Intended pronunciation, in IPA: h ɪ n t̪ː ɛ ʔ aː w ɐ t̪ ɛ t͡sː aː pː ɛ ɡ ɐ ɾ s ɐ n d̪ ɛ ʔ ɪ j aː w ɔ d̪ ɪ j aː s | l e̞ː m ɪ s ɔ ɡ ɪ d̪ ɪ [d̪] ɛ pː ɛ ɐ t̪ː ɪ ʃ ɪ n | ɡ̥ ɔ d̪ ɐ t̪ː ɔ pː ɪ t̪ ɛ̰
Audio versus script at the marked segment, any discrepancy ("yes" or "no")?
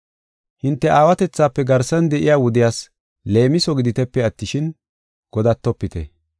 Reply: yes